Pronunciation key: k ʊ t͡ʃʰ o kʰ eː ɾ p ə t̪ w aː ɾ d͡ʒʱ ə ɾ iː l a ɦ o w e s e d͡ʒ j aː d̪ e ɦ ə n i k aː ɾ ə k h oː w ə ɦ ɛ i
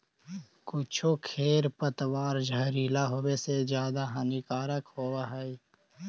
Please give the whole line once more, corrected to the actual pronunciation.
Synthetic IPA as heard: k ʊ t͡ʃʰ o kʰ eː ɾ p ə t̪ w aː ɾ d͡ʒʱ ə ɾ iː l a ɦ o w e s e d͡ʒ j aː d̪ a ɦ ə n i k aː ɾ ə k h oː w a ɦ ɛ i